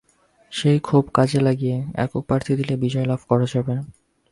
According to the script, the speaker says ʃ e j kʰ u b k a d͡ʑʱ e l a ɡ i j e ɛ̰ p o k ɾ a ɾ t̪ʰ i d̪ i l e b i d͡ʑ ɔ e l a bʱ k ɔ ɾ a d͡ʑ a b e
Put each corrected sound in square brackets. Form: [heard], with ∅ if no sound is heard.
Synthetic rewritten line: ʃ e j kʰ u b k a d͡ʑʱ e l a ɡ i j e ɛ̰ [k] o [p] ɾ a ɾ t̪ʰ i d̪ i l e b i d͡ʑ ɔ e l a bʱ k ɔ ɾ a d͡ʑ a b e

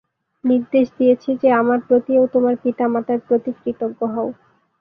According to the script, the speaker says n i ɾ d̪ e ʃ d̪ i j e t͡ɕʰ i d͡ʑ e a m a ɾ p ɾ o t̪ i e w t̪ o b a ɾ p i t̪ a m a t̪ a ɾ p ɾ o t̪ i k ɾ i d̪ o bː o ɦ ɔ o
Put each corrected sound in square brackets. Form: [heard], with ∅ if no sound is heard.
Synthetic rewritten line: n i ɾ d̪ e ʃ d̪ i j e t͡ɕʰ i d͡ʑ e a m a ɾ p ɾ o t̪ i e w t̪ o [m] a ɾ p i t̪ a m a t̪ a ɾ p ɾ o t̪ i k ɾ i [t̪] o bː o ɦ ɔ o

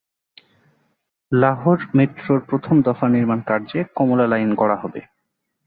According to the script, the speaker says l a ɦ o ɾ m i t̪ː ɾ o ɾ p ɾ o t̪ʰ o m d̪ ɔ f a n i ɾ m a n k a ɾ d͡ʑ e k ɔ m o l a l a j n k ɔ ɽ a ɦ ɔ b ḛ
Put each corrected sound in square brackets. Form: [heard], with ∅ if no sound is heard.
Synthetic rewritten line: l a ɦ o ɾ m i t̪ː ɾ o ɾ p ɾ o t̪ʰ o m d̪ ɔ f a n i ɾ m a n k a ɾ d͡ʑ e k ɔ m o l a l a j n k ɔ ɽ a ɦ ɔ b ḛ

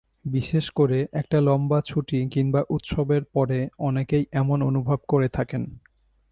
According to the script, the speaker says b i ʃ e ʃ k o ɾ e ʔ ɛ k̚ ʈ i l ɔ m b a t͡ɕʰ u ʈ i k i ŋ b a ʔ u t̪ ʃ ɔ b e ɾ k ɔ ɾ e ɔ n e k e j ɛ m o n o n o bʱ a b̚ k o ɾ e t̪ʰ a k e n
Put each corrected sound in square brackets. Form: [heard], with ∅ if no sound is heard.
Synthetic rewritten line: b i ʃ e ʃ k o ɾ e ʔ ɛ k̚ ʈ [a] l ɔ m b a t͡ɕʰ u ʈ i k i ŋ b a ʔ u t̪ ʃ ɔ b e ɾ [p] ɔ ɾ e ɔ n e k e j ɛ m o n o n [u] bʱ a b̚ k o ɾ e t̪ʰ a k e n

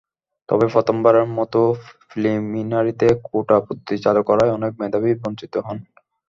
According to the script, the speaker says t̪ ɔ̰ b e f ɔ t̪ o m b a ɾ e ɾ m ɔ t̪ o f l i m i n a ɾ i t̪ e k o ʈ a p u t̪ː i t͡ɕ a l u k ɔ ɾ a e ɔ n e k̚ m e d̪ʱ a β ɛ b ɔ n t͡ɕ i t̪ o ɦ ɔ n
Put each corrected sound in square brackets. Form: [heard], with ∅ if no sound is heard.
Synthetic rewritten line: t̪ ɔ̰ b e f ɔ t̪ o m b a ɾ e ɾ m ɔ t̪ o f l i m i n a ɾ i t̪ e k o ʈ a p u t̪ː i t͡ɕ a l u k ɔ ɾ a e ɔ n e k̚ m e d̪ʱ a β [i] b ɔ n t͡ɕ i t̪ o ɦ ɔ n

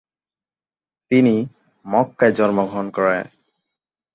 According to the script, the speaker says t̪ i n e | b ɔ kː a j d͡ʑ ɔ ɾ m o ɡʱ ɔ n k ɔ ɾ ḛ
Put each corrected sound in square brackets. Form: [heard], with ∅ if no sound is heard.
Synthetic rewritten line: t̪ i n [i] | [m] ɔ kː a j d͡ʑ ɔ ɾ m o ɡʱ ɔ n k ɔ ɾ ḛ

